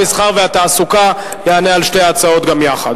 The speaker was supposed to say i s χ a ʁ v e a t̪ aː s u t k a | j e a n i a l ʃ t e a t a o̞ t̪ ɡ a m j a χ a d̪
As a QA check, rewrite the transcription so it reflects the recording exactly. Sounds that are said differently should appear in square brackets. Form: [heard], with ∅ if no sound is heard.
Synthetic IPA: i s χ a ʁ v e a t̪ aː s u [∅] k a | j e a n [e] a l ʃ t e a [t͡s] a o̞ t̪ ɡ a m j a χ a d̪